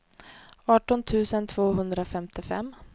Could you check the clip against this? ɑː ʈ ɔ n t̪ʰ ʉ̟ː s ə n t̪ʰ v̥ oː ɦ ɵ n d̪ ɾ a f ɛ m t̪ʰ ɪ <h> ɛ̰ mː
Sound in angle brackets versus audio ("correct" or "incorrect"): incorrect